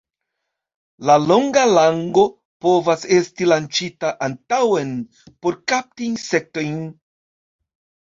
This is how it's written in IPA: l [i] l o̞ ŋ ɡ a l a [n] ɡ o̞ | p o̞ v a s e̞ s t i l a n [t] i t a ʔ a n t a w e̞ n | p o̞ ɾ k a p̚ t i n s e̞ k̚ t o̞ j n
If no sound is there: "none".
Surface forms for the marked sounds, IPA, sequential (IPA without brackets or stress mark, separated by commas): a, ŋ, t͡ʃ